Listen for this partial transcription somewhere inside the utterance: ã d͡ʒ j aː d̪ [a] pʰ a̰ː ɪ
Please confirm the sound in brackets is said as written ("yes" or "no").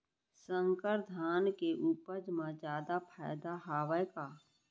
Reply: yes